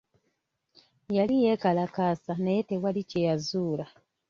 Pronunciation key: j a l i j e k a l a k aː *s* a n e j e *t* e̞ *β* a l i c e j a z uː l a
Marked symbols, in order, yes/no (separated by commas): yes, yes, no